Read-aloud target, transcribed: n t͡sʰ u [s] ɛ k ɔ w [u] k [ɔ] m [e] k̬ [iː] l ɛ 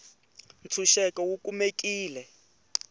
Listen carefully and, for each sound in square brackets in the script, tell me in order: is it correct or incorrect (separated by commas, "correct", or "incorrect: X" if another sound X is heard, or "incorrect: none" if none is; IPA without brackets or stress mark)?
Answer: incorrect: ʃ, correct, incorrect: u, correct, correct